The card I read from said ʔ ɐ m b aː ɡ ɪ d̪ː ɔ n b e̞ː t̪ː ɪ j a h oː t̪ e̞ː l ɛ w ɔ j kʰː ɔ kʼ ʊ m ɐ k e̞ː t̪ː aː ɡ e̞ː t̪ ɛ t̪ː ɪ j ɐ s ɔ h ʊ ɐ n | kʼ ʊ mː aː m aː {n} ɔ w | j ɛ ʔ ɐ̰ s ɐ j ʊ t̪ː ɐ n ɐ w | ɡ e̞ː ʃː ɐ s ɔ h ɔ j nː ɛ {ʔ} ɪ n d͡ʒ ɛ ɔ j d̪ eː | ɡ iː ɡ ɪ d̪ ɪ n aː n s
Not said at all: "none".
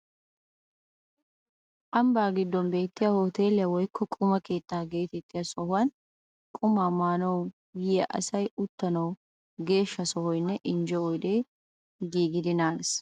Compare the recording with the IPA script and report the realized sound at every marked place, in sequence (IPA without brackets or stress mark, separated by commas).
n, ʔ